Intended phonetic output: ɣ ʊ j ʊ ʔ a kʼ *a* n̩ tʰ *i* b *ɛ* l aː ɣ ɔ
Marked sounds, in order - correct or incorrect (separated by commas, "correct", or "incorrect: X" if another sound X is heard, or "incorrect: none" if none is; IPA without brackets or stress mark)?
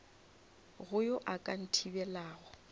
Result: correct, correct, correct